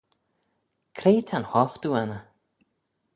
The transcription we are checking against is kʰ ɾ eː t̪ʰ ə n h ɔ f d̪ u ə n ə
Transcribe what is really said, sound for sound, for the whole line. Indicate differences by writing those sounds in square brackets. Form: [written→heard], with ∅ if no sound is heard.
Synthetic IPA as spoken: kʰ ɾ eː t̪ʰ [ə→a] n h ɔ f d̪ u [ə→a] n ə